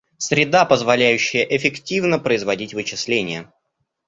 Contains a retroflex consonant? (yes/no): no